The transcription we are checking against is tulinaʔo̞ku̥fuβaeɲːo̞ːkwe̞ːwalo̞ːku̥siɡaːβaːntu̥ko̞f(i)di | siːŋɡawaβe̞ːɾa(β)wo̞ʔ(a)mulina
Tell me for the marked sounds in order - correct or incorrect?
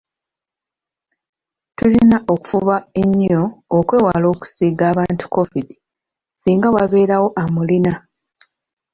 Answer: correct, incorrect: none, correct

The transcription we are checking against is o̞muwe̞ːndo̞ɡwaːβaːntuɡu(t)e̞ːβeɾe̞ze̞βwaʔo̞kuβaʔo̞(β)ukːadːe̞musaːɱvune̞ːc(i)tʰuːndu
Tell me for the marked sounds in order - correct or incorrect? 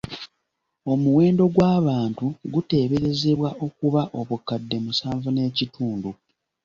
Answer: correct, correct, correct

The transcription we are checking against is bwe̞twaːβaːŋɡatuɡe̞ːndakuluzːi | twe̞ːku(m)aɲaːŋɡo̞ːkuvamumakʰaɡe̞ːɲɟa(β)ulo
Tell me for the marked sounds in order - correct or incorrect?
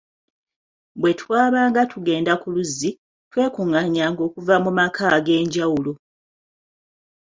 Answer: incorrect: ŋ, incorrect: w

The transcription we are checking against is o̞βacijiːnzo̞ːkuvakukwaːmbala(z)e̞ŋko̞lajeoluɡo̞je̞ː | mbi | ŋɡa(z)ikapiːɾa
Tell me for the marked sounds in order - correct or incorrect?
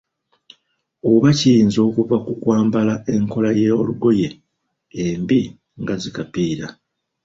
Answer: incorrect: none, correct

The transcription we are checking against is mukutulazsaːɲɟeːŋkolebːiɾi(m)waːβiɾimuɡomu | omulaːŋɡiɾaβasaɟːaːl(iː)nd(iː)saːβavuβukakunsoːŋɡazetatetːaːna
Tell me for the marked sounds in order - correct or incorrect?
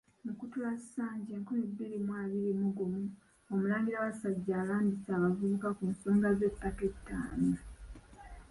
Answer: correct, incorrect: aː, incorrect: i

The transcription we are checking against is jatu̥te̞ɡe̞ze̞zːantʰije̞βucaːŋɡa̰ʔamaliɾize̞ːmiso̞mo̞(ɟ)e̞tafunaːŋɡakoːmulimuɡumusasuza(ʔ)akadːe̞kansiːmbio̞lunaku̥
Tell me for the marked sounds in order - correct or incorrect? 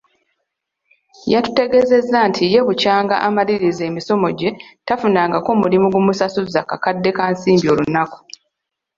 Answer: correct, incorrect: k

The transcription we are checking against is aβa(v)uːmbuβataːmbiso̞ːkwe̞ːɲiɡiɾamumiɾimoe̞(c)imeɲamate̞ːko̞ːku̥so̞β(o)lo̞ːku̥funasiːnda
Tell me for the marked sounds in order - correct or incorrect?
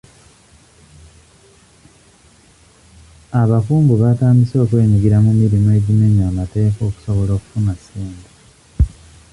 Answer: incorrect: f, incorrect: ɟ, correct

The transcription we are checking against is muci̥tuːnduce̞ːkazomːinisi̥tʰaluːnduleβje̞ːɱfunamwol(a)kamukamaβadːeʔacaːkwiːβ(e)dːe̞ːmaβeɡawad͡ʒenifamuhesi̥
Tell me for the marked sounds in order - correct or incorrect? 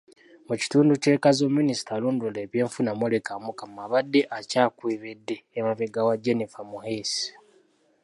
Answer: incorrect: e, correct

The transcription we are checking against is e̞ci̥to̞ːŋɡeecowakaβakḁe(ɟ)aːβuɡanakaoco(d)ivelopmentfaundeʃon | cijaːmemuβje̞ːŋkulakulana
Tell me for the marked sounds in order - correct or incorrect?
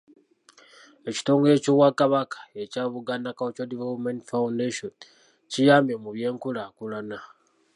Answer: incorrect: c, correct

